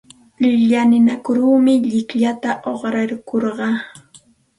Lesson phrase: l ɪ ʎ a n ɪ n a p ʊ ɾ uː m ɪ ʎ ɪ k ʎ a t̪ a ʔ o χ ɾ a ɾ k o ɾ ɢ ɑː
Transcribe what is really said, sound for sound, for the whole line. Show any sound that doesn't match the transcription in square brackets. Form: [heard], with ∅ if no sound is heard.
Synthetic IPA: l ɪ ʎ a n ɪ n a [k] ʊ ɾ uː m ɪ ʎ ɪ k ʎ a t̪ a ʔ o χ ɾ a ɾ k o ɾ ɢ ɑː